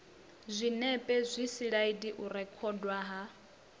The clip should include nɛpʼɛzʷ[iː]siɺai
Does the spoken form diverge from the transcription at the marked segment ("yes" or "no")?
yes